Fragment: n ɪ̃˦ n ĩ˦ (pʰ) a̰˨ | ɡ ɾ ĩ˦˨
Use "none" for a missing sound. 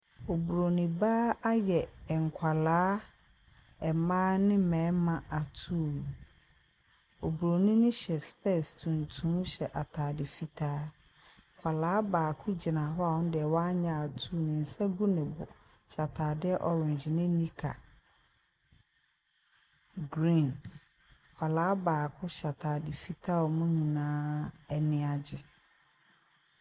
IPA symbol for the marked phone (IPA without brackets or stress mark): kʰ